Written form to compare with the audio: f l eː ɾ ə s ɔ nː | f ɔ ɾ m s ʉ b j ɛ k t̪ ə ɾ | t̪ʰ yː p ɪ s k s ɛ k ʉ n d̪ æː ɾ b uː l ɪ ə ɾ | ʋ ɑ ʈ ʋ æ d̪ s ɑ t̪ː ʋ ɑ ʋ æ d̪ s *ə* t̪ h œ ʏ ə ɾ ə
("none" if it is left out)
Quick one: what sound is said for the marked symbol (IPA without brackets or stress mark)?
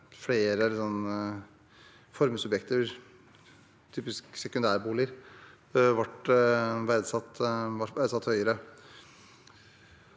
ɑ